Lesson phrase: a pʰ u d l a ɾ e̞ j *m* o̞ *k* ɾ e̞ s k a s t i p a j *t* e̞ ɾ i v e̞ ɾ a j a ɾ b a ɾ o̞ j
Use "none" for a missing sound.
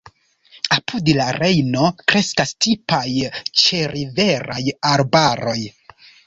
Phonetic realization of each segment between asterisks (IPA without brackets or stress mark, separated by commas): n, k, t͡ʃ